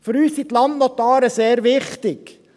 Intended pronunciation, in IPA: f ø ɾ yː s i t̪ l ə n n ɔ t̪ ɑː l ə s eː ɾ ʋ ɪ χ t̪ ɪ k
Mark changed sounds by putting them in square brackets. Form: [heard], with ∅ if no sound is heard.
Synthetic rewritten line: f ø ɾ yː s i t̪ l [ɑ] n n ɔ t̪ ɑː [ɾ] ə s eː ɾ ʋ ɪ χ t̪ ɪ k